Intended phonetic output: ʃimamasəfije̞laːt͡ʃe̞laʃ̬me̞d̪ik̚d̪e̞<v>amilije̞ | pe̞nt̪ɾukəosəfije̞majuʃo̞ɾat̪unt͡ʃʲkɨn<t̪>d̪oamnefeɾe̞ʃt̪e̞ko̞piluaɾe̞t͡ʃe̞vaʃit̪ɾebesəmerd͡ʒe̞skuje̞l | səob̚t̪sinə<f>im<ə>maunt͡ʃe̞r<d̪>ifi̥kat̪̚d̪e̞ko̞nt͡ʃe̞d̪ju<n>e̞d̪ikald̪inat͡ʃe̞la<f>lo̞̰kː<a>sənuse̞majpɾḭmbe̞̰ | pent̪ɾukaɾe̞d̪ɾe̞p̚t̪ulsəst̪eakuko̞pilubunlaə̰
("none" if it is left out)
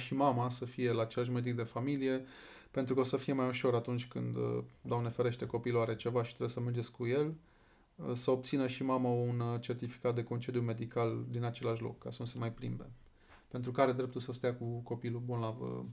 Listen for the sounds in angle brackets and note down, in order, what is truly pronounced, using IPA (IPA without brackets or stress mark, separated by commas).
f, d̪, ʃ, a, t̪, m, ʃ, a